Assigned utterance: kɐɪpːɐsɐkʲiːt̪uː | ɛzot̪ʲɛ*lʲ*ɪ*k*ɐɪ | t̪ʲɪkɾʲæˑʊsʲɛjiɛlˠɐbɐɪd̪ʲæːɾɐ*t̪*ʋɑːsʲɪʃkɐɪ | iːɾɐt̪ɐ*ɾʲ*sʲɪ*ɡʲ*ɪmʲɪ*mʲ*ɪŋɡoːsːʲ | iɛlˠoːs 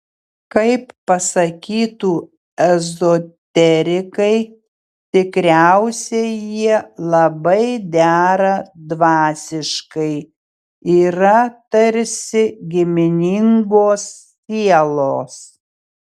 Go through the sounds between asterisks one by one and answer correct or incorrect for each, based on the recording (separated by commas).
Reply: incorrect, correct, incorrect, correct, correct, incorrect